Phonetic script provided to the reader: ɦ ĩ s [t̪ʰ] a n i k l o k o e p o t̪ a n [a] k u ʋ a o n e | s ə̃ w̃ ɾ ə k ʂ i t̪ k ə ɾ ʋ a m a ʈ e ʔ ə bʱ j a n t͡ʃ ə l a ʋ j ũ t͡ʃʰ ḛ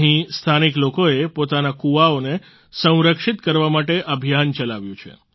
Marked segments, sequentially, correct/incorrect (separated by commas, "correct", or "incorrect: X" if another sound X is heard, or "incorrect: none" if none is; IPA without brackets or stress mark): correct, correct